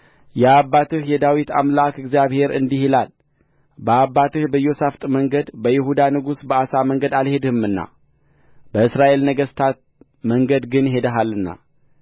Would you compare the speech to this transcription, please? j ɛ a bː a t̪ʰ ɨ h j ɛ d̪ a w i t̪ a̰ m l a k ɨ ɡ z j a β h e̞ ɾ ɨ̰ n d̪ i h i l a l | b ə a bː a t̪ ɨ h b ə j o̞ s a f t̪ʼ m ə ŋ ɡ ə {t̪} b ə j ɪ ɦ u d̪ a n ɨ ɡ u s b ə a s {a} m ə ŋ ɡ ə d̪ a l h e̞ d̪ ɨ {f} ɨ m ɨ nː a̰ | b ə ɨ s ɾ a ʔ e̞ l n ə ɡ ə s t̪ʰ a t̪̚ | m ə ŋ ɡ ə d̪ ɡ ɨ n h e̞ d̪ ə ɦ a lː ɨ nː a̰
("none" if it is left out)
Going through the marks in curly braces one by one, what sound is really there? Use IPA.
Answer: d̪, a, h

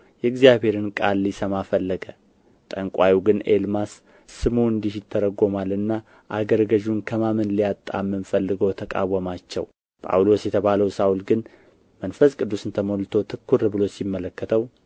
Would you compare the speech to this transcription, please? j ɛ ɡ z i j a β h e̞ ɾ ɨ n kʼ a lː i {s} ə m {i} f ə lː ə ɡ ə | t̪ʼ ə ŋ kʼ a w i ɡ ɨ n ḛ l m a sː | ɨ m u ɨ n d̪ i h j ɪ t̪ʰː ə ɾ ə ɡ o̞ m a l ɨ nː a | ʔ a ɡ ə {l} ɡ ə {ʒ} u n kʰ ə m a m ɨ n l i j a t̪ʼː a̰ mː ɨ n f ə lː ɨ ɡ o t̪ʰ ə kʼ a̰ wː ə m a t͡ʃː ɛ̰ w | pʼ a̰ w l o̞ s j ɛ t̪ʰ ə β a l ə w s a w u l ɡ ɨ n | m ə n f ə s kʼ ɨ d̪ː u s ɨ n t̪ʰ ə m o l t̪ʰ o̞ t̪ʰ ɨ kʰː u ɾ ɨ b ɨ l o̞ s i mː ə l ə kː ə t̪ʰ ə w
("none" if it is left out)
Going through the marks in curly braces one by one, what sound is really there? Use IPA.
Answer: s, a, ɾ, ʒ

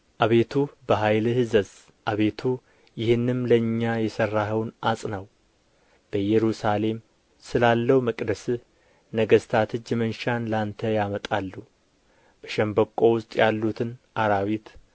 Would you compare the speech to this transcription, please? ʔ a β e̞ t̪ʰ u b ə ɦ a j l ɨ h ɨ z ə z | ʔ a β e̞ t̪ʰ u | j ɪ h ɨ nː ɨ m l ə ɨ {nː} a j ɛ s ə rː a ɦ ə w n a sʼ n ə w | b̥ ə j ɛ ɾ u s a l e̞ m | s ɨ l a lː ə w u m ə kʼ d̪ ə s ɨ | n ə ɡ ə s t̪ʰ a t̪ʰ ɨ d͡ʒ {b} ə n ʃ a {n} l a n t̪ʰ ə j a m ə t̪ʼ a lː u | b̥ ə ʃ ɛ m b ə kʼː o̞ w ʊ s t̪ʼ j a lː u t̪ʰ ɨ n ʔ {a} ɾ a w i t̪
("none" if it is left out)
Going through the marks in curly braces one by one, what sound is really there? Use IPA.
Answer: ɲː, m, n, a

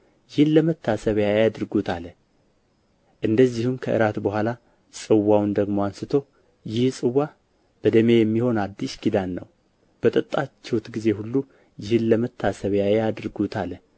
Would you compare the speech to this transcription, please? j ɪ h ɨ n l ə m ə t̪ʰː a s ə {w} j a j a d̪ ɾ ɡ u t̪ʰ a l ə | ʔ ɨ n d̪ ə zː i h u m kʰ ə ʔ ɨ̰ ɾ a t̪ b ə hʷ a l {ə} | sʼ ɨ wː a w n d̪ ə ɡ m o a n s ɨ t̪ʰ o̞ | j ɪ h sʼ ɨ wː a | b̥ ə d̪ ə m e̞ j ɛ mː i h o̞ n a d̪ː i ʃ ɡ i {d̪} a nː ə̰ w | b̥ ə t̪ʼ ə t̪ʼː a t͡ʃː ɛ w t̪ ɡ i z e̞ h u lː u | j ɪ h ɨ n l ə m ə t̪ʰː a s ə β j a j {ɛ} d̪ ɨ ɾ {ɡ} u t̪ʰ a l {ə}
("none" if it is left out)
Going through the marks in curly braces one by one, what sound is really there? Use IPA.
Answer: β, a, d̪, a, ɡ, ə

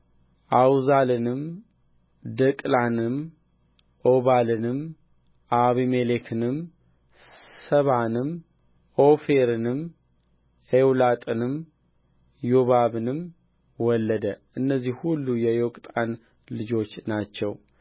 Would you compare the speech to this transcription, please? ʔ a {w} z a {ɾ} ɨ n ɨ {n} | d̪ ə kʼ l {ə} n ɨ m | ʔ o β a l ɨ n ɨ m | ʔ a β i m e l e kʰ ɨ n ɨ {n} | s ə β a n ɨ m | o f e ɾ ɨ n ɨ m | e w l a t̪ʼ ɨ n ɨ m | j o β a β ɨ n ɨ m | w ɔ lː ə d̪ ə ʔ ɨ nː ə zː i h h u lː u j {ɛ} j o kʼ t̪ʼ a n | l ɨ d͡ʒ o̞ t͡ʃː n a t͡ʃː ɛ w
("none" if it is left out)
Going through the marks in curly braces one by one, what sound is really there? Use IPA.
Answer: w, l, m, a, m, ɛ

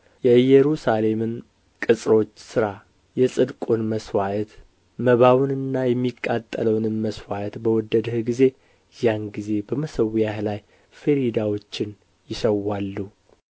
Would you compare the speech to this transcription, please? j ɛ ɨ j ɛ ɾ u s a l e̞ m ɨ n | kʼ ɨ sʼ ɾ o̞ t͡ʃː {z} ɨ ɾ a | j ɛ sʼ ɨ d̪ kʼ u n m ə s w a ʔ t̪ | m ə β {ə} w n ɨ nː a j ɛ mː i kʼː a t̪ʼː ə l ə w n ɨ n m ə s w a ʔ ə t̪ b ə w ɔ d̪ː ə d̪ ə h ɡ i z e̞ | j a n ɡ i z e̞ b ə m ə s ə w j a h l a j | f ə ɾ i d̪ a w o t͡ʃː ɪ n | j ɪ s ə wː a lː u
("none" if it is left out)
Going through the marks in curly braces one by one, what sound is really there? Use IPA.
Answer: s, a

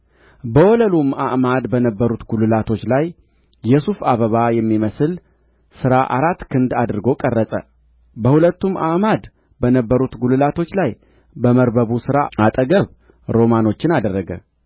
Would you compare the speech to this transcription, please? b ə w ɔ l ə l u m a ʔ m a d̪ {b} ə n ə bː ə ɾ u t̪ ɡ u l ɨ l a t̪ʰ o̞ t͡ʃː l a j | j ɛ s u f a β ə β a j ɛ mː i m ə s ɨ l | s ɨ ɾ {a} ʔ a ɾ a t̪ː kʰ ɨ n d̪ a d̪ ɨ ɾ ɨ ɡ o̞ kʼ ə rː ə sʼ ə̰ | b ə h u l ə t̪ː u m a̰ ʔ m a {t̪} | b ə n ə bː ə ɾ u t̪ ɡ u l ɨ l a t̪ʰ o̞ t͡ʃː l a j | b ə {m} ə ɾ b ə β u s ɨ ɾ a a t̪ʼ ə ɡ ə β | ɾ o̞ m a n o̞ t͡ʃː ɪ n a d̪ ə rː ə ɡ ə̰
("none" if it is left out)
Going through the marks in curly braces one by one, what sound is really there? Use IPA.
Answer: b, a, d̪, m

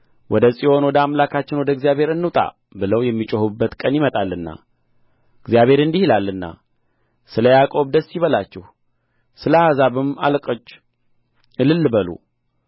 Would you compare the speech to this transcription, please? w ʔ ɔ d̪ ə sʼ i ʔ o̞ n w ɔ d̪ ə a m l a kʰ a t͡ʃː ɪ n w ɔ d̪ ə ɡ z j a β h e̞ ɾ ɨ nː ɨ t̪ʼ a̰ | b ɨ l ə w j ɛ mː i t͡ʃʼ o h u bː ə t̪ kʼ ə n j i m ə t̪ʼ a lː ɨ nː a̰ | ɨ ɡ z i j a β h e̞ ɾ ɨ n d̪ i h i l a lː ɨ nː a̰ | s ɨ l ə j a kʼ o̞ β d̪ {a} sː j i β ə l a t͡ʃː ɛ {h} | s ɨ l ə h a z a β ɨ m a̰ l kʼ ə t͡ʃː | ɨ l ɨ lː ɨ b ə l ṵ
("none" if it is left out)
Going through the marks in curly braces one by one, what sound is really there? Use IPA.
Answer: ə, h

